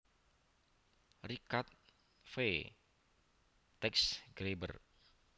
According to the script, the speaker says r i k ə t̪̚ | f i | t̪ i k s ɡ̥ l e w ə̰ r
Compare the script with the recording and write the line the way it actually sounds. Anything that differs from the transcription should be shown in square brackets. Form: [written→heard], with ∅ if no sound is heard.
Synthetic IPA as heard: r i k [ə→a] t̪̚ | f [i→e] | t̪ [i→ɛ] k s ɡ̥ [l→ɾ] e [w→b] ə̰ r